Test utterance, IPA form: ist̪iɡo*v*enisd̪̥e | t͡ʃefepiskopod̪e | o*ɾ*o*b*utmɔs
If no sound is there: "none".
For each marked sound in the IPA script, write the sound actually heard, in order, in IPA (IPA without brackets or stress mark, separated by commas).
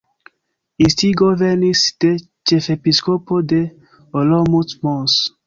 v, l, m